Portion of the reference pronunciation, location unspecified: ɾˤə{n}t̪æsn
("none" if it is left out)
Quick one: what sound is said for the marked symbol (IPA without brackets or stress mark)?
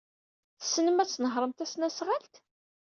m